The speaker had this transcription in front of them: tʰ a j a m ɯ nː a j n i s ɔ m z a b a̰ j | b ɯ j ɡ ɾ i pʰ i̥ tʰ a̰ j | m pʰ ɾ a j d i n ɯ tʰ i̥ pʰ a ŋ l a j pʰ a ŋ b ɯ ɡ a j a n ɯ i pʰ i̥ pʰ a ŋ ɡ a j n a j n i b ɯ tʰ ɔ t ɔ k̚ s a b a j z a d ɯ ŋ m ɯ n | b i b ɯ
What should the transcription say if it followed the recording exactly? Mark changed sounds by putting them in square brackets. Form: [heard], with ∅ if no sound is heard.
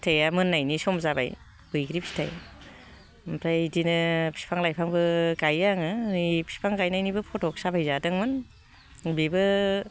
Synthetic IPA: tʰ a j a m ɯ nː a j n i s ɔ m z a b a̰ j | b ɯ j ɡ ɾ i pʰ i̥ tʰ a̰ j | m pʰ ɾ a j d i n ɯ [pʰ] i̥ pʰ a ŋ l a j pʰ a ŋ b ɯ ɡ a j a [ŋ] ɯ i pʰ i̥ pʰ a ŋ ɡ a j n a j n i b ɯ [pʰ] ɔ t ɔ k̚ s a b a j z a d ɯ ŋ m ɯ n | b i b ɯ